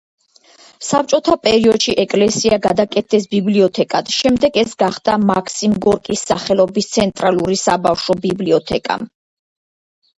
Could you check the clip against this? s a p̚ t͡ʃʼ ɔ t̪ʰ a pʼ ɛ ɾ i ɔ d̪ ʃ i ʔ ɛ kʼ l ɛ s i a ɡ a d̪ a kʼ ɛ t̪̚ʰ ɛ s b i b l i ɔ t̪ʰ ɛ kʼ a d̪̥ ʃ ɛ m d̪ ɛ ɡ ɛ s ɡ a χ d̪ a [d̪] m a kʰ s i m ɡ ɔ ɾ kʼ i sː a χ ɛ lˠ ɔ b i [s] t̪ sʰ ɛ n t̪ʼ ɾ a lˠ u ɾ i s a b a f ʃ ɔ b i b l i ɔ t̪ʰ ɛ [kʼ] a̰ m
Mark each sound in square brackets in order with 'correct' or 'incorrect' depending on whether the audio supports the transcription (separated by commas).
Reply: incorrect, correct, correct